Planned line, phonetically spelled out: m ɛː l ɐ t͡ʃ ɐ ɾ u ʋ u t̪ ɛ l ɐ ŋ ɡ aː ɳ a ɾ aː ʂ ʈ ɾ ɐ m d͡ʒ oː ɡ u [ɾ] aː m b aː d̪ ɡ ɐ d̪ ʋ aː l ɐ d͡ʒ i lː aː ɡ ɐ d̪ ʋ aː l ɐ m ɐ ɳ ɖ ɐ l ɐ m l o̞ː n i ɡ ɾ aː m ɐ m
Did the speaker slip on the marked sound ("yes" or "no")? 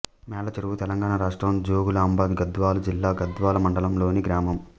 yes